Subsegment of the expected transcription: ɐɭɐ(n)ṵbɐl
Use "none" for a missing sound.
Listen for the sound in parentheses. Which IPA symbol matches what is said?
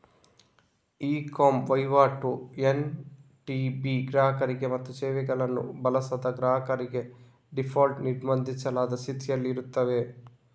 nː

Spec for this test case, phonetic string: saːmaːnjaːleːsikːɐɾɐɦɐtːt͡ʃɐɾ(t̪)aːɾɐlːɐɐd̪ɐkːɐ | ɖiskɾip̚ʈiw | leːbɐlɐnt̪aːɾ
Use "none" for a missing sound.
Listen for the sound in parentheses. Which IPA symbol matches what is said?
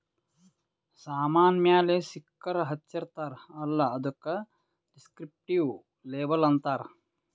t̪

